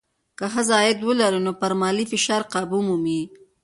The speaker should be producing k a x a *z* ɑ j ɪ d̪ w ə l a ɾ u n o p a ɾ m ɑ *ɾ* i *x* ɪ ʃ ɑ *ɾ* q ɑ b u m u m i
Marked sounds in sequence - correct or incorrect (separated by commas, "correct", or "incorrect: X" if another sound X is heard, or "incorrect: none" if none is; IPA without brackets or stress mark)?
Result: correct, incorrect: l, incorrect: f, correct